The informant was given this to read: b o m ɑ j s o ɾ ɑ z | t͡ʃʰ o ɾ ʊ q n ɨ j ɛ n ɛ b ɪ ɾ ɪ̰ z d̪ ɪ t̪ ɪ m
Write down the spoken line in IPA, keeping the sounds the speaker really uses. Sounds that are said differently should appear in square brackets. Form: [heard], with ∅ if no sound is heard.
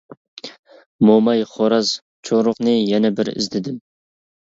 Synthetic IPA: [m] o m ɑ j [χ] o ɾ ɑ z | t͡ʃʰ o ɾ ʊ q n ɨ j ɛ n ɛ b ɪ ɾ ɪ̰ z d̪ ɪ [d̪] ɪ m

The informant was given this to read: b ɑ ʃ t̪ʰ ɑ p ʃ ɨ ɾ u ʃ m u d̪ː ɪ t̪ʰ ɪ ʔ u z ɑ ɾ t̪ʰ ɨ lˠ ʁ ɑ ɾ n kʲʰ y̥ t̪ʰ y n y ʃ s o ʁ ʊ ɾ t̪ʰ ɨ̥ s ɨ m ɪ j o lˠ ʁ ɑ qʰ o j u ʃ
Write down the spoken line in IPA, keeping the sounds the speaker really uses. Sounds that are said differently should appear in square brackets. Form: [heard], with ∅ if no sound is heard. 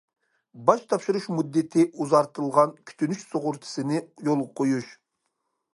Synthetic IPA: b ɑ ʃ t̪ʰ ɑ p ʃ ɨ ɾ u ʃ m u d̪ː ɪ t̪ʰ ɪ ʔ u z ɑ ɾ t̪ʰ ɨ lˠ ʁ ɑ [∅] n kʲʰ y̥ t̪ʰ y n y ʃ s o ʁ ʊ ɾ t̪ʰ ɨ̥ s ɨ [n] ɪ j o lˠ ʁ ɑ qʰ o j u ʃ

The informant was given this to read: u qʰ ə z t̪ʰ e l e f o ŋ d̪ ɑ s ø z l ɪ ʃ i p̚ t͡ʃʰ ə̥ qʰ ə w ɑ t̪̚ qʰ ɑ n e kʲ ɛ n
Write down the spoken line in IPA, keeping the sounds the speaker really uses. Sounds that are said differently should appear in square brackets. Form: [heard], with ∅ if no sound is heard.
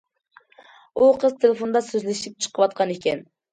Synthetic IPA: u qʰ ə z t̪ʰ e l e f o [n] d̪ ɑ s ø z l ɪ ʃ i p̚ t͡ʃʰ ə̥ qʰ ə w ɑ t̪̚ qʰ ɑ n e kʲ ɛ n

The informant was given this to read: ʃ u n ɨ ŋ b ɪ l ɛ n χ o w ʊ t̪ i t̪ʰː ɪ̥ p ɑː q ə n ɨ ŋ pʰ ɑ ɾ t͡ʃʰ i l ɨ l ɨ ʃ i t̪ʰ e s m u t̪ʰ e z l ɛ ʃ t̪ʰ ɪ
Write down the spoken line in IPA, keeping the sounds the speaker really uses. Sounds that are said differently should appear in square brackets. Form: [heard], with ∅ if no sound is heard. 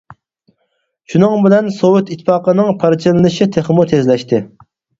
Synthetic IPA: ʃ u n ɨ ŋ b ɪ l ɛ n [s] o w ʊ t̪ i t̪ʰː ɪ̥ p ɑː q ə n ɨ ŋ pʰ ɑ ɾ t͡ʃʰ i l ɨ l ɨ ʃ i t̪ʰ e [χ] m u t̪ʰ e z l ɛ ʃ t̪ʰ ɪ

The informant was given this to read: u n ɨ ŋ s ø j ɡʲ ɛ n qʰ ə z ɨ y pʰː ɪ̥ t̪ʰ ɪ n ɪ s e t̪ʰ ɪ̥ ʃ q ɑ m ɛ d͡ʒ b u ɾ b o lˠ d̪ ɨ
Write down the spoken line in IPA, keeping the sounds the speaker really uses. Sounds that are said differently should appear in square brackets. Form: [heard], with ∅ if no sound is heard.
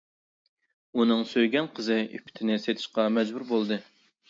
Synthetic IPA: u n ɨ ŋ s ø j ɡʲ ɛ n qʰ ə z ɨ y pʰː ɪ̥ t̪ʰ ɪ n ɪ s e t̪ʰ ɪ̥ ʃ q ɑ m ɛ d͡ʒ b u ɾ b o lˠ d̪ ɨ

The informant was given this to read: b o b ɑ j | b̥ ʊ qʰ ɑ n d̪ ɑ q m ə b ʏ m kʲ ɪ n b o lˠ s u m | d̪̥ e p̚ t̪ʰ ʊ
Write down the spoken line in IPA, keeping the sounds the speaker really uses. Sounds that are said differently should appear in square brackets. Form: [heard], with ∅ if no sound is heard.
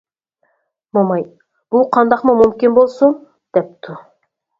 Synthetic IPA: [m] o [m] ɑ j | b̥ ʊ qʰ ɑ n d̪ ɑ q m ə [m] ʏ m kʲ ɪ n b o lˠ s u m | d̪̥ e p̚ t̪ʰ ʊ

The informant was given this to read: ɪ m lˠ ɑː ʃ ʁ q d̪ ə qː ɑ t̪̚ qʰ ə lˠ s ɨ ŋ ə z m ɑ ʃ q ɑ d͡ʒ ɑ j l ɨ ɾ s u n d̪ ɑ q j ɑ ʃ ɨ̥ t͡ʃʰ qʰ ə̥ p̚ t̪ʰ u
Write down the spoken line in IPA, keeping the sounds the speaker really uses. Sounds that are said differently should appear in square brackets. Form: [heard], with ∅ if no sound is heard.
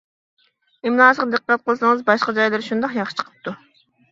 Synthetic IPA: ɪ m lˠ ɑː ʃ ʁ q d̪ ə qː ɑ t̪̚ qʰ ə lˠ s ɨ ŋ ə z [b] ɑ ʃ q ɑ d͡ʒ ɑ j l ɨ ɾ [ʃ] u n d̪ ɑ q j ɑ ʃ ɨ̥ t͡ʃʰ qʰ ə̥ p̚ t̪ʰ u

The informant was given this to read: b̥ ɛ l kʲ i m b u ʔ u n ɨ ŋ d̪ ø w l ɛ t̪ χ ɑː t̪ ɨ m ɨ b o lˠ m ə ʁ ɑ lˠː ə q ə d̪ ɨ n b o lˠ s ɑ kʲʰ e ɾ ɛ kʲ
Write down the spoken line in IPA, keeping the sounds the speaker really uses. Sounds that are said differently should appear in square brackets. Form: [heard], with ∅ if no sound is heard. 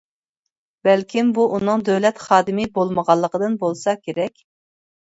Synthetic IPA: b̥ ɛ l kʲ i m b u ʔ u n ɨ ŋ d̪ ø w l ɛ t̪ χ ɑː [d̪] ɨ m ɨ b o lˠ m ə ʁ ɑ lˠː ə q ə d̪ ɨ n b o lˠ s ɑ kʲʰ e ɾ ɛ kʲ

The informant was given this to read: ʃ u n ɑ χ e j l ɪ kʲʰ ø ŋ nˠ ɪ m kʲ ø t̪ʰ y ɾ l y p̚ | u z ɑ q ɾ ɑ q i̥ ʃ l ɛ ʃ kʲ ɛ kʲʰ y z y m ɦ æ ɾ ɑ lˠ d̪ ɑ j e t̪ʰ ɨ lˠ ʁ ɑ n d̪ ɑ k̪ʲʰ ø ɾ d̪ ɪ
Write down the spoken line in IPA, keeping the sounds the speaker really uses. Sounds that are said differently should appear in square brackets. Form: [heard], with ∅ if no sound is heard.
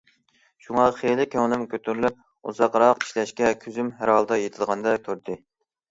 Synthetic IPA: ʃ u [ŋ] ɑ χ e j l ɪ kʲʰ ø ŋ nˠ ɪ m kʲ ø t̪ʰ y ɾ l y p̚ | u z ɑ q ɾ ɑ q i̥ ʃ l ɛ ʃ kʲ ɛ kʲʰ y z y m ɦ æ ɾ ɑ lˠ d̪ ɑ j e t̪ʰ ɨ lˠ ʁ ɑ n d̪ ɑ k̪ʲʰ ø ɾ d̪ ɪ

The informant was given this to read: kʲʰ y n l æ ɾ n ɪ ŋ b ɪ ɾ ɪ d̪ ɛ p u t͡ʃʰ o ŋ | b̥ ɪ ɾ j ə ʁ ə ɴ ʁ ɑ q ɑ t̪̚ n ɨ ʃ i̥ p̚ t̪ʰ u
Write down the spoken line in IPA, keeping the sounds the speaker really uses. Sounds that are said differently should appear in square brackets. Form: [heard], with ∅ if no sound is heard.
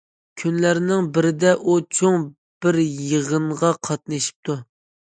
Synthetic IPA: kʲʰ y n l æ ɾ n ɪ ŋ b ɪ ɾ ɪ d̪ ɛ [ʔ] u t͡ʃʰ o ŋ | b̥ ɪ ɾ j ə ʁ ə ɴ ʁ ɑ [qʰ] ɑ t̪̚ n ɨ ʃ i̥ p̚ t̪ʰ u

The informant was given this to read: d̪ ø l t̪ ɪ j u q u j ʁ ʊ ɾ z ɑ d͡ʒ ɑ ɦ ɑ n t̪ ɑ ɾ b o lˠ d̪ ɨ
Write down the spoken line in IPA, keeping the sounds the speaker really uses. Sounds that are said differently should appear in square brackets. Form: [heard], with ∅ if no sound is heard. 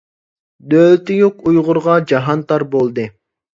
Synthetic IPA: d̪ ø l t̪ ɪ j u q u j ʁ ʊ ɾ [ʁ] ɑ d͡ʒ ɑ ɦ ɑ n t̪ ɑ ɾ b o lˠ d̪ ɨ

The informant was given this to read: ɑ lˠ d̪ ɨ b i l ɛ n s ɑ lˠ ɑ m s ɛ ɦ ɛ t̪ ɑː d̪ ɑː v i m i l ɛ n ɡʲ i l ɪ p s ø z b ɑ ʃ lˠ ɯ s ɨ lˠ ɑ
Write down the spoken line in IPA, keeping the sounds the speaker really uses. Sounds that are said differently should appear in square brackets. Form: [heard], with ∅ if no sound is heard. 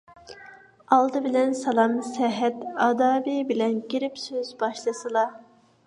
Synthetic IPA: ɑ lˠ d̪ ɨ b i l ɛ n s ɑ lˠ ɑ m s ɛ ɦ ɛ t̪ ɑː d̪ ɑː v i [b] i l ɛ n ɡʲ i [ɾ] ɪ p s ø z b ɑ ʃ lˠ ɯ s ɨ lˠ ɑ

